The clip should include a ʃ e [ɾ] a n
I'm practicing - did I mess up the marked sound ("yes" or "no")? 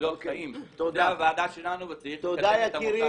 yes